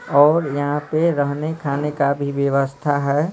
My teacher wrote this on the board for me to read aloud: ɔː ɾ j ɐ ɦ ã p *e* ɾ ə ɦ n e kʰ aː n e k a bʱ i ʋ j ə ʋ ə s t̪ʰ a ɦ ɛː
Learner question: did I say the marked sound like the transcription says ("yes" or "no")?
yes